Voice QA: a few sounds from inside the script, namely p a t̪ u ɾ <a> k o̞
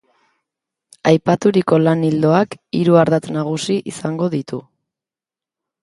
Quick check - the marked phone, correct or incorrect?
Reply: incorrect: i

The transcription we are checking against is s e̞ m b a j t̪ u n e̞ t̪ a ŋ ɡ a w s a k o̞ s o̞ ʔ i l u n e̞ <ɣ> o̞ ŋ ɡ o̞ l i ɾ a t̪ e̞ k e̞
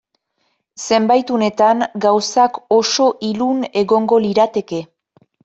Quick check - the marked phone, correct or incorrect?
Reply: correct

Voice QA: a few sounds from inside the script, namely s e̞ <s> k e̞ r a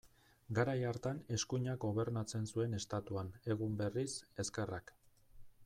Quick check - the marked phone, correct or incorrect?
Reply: correct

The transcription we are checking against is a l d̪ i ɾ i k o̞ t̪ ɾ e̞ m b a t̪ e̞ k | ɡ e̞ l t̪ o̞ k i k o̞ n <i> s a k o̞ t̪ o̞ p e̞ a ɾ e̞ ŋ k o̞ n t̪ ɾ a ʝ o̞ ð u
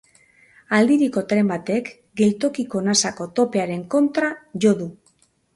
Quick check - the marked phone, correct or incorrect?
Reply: incorrect: a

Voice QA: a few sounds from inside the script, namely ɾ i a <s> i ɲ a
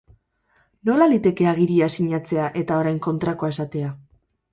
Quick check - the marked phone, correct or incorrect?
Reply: correct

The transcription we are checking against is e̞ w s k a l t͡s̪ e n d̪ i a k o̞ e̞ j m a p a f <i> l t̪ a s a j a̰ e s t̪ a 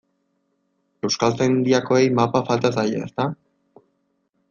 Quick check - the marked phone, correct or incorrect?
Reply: incorrect: a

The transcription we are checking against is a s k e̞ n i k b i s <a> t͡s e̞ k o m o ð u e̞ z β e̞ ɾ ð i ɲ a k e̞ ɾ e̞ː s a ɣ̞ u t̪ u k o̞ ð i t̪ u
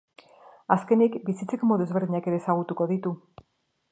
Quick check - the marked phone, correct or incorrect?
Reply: incorrect: i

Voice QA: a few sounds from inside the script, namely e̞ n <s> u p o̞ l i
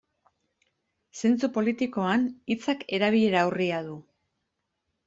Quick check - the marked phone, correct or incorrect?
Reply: incorrect: t͡s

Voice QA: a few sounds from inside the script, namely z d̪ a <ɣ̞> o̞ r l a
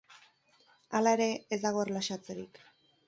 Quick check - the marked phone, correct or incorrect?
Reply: correct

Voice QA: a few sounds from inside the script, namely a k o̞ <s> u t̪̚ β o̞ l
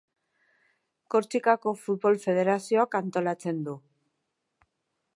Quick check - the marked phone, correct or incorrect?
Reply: incorrect: f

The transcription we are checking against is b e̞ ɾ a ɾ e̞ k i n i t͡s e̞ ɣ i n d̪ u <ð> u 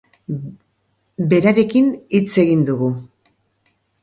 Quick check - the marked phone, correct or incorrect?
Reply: incorrect: ɣ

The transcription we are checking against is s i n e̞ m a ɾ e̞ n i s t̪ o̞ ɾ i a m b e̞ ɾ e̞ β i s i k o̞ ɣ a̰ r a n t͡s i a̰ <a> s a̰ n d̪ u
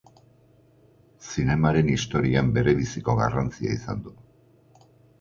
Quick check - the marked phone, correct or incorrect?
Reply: incorrect: i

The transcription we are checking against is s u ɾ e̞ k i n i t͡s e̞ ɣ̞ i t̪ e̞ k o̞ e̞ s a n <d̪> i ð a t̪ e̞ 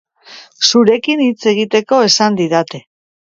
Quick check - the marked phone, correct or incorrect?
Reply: correct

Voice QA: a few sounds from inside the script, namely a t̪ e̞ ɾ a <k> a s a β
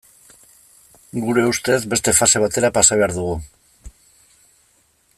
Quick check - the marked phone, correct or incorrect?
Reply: incorrect: p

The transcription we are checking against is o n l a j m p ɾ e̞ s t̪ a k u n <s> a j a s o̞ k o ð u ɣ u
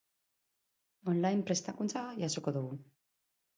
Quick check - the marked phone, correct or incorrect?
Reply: incorrect: t͡s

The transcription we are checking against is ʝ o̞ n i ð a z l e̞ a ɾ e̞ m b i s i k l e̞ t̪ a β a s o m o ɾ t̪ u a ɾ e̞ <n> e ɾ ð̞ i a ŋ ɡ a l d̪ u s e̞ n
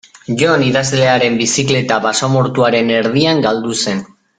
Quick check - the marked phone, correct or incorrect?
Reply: correct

